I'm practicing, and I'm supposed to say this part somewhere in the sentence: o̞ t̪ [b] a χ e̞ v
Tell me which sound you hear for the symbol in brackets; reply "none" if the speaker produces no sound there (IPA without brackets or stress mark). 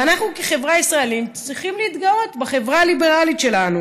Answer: b